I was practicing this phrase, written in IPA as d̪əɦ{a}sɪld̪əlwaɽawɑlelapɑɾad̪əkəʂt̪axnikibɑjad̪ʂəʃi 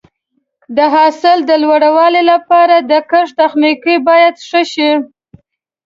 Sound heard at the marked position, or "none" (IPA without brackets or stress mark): ɑ